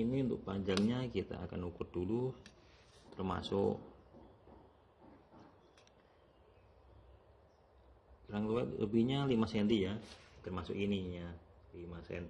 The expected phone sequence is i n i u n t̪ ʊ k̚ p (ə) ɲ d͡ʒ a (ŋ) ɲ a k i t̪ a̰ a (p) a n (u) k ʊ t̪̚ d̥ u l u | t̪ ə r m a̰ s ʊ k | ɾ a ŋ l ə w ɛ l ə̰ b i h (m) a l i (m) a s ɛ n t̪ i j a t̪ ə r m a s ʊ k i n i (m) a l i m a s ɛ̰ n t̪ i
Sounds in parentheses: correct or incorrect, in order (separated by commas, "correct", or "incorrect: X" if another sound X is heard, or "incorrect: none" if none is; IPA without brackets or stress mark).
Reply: incorrect: a, correct, incorrect: k, correct, incorrect: ɲ, correct, incorrect: ɲ